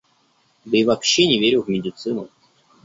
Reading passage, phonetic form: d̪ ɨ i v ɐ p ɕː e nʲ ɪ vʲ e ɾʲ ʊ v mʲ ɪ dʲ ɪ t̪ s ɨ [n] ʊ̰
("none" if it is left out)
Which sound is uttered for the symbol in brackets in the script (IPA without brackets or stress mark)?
n